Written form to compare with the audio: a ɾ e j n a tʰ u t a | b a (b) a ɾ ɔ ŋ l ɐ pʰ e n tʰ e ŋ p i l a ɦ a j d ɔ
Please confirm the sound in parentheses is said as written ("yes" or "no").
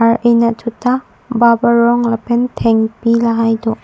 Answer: yes